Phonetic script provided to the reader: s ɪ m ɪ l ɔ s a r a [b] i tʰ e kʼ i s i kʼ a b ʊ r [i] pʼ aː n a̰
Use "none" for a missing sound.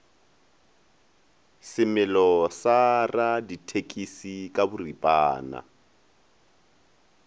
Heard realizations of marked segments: d, i

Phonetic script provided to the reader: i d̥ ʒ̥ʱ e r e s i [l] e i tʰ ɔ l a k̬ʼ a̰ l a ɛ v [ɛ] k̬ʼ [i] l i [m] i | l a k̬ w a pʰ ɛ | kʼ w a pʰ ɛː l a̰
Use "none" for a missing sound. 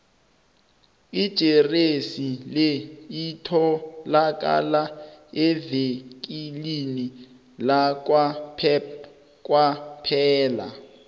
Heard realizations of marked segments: l, e, i, n

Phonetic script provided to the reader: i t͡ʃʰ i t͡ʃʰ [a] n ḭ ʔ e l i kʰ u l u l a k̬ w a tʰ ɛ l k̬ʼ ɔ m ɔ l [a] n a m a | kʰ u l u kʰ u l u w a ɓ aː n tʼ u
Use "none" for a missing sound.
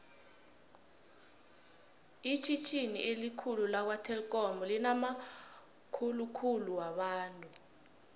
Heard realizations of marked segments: i, i

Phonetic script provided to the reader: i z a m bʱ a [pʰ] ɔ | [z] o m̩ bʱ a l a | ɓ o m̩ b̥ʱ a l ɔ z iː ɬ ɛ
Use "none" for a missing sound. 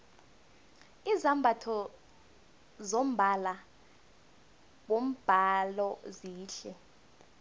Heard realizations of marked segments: tʰ, z

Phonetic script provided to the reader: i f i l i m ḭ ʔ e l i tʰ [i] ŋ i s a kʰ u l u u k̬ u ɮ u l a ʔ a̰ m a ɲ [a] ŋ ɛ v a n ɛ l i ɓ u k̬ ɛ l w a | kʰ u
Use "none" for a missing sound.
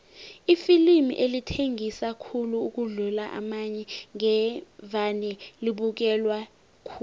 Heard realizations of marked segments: e, ɛ

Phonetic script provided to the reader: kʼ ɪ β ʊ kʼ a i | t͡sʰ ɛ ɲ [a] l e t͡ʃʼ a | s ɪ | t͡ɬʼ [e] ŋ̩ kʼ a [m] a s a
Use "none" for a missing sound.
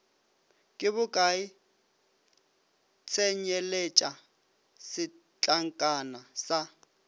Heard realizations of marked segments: ɛ, a, n

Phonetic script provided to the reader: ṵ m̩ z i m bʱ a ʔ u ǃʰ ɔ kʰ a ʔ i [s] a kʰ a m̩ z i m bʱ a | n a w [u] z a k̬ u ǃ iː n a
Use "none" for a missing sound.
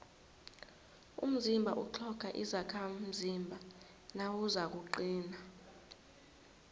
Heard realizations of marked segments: z, u

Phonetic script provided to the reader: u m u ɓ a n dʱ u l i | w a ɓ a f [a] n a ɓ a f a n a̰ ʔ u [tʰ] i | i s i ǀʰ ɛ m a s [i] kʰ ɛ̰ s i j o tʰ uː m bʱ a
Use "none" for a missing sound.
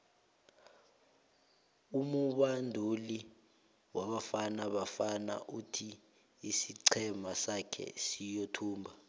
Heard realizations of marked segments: a, tʰ, a

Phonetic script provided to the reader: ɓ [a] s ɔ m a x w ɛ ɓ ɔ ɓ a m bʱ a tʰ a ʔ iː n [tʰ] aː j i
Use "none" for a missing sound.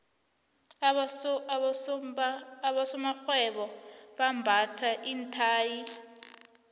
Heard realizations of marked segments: a, tʰ

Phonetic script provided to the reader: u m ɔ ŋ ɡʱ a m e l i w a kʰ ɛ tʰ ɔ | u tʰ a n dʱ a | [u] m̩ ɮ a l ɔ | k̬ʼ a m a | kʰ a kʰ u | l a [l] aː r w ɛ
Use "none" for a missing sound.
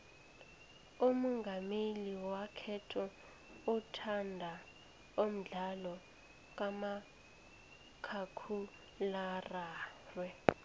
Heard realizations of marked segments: o, r

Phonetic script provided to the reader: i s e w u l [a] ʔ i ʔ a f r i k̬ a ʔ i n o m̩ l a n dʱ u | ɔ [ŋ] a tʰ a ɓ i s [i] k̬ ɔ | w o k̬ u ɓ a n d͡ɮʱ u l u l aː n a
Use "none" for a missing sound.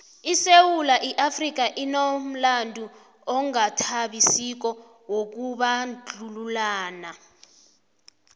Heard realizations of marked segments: a, ŋ, i

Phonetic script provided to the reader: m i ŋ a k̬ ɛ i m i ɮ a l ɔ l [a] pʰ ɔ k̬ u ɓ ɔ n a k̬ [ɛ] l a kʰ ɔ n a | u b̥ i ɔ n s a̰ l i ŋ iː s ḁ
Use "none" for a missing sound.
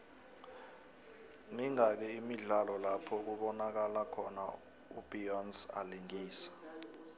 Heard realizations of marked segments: a, a

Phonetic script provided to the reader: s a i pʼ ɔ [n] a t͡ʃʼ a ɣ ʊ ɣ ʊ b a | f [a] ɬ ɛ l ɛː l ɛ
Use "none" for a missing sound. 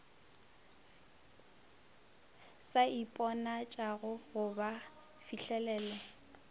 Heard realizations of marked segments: n, i

